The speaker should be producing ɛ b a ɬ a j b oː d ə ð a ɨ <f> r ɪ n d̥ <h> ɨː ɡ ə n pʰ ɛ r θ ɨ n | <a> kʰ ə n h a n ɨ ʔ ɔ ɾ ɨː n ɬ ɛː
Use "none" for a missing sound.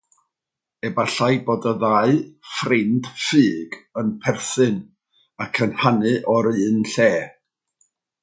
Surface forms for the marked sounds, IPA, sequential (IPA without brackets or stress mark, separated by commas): f, f, a